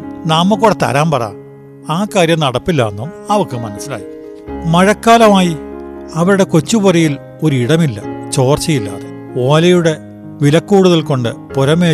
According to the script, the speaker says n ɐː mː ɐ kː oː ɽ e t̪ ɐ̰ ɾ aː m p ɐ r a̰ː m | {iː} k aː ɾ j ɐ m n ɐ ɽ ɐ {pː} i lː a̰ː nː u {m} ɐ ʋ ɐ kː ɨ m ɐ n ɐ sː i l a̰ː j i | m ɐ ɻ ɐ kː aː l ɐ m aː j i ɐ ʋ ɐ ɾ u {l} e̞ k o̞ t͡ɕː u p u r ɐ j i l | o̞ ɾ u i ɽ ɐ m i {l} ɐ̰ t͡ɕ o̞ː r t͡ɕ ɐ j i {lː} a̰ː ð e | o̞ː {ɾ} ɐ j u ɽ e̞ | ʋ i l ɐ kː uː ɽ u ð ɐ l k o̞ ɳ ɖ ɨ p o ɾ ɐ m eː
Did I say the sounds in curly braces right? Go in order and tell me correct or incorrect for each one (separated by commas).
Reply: incorrect, correct, correct, incorrect, incorrect, correct, incorrect